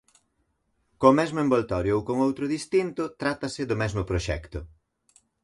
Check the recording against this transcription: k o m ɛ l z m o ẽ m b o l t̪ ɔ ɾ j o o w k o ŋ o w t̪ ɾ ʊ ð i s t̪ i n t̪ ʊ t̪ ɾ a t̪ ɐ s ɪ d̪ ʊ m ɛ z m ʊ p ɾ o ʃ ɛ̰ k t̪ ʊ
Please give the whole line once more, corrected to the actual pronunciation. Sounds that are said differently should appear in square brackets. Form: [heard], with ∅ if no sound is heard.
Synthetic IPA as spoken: k o m ɛ [∅] z m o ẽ m b o l t̪ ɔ ɾ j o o w k o ŋ o w t̪ ɾ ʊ ð i s t̪ i n t̪ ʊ t̪ ɾ a t̪ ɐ s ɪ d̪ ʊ m ɛ z m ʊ p ɾ o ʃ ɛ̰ k t̪ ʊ